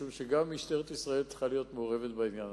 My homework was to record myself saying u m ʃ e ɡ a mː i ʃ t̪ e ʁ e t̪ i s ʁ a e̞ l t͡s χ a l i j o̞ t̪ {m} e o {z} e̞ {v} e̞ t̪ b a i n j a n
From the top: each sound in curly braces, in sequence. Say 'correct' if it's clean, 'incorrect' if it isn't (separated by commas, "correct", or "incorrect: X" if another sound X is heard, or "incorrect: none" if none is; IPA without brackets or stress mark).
correct, incorrect: ʁ, correct